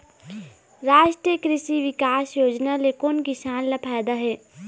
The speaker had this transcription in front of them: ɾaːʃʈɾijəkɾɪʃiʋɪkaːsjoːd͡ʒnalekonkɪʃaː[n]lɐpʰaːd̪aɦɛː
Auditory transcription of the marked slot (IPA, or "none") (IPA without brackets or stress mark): n